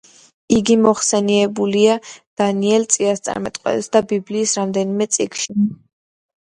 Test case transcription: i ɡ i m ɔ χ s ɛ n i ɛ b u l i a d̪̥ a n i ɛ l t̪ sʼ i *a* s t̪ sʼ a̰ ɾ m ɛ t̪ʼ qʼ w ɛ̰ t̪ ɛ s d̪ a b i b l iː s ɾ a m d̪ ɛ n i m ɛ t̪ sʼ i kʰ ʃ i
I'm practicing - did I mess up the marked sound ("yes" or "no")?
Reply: no